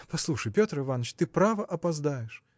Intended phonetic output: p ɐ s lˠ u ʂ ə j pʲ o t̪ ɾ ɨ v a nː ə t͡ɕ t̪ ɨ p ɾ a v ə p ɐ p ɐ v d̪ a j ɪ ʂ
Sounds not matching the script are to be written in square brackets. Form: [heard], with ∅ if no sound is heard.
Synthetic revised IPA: p ɐ s lˠ u ʂ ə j pʲ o t̪ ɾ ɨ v a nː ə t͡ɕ t̪ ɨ p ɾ a v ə [ʔ] ɐ p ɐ [z] d̪ a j ɪ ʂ